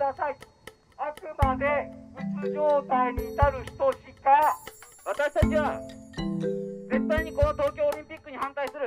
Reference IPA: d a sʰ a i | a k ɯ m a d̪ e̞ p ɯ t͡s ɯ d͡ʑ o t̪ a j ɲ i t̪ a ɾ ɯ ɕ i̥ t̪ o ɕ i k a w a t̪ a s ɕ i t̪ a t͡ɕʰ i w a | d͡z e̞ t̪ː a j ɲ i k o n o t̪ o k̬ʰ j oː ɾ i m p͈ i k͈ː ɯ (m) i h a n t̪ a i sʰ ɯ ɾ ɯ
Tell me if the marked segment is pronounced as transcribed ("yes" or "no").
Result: no